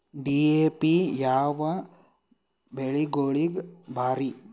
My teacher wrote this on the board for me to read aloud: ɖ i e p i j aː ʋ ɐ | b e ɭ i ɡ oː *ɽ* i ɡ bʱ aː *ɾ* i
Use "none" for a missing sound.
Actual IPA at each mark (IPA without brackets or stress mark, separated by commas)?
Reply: ɭ, ɾ